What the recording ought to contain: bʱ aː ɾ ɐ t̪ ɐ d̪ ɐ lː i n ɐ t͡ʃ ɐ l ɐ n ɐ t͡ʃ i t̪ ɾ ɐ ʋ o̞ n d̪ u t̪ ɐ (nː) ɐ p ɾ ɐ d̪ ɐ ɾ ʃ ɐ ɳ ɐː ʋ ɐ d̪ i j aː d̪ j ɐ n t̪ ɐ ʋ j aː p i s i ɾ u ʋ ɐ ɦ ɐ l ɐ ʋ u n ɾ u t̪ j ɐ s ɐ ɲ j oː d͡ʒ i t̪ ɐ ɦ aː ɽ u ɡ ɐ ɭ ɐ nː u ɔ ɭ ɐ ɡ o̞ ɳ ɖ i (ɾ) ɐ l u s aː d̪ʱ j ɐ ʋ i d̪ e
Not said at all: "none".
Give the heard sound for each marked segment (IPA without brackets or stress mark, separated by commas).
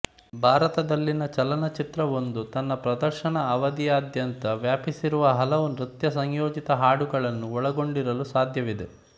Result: nː, ɾ